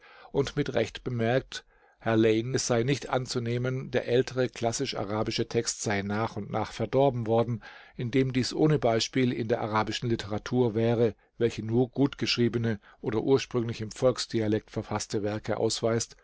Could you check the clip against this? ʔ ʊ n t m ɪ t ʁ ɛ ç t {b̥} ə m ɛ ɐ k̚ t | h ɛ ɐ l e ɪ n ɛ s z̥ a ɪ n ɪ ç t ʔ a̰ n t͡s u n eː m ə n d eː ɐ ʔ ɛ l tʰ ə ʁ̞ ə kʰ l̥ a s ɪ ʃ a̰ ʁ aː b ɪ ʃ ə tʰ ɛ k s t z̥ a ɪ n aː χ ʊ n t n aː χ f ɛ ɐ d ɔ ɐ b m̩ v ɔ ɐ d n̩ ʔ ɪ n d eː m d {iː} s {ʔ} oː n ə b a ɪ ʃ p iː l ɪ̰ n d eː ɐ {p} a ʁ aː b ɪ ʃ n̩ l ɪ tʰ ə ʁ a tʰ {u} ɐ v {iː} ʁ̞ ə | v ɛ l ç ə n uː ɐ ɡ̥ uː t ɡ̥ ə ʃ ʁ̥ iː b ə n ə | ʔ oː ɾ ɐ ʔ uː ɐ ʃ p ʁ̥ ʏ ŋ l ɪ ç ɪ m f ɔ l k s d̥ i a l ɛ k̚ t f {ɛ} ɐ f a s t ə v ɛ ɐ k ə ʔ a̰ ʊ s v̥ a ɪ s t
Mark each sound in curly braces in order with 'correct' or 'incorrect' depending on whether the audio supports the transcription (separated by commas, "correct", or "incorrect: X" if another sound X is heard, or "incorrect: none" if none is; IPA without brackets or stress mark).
correct, correct, correct, incorrect: ʔ, incorrect: uː, incorrect: ɛː, correct